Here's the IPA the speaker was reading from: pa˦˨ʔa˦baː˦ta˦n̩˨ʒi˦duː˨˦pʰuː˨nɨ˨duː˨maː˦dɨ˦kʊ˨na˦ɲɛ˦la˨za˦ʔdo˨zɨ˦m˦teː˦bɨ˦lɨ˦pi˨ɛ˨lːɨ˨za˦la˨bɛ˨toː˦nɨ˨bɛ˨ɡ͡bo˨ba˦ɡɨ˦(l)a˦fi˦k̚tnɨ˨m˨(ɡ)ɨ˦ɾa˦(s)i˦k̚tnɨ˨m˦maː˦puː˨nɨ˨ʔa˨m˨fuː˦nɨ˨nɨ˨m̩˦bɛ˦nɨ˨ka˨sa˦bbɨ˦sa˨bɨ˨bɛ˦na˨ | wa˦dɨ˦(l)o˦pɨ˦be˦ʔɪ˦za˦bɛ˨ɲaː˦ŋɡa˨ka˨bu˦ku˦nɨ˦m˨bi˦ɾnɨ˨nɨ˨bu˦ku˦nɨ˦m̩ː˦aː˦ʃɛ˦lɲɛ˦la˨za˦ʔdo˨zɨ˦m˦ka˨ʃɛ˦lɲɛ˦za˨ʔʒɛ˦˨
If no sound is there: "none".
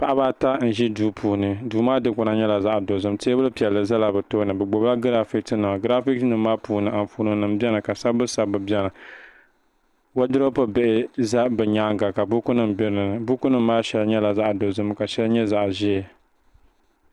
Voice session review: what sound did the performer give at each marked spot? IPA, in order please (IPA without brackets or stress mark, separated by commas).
ɾ, ɡ, f, ɾ